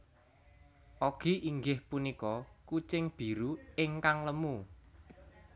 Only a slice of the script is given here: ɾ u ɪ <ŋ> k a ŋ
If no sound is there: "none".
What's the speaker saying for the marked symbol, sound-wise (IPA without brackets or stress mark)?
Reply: ŋ